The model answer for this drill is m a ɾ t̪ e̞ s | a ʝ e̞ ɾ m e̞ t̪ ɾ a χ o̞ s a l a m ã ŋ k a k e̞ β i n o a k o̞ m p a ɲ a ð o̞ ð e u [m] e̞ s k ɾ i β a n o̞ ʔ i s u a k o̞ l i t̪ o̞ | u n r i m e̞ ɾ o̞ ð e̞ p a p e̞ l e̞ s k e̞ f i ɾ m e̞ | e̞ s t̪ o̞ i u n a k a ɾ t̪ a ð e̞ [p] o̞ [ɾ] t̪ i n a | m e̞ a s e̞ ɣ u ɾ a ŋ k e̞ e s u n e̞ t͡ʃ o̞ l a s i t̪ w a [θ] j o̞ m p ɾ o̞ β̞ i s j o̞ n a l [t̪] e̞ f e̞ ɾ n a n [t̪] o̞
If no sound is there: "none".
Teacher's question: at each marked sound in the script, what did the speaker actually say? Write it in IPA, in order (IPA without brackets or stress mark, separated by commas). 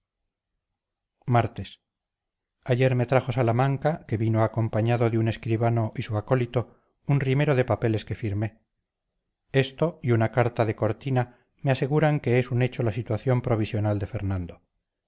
n, k, ɾ, θ, d̪, d̪